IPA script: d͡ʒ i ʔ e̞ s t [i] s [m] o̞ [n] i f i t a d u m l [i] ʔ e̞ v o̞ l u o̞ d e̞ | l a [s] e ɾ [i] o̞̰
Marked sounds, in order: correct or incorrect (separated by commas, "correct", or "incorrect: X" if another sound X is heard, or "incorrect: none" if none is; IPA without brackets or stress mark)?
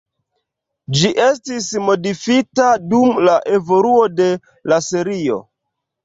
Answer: correct, correct, incorrect: d, incorrect: a, correct, correct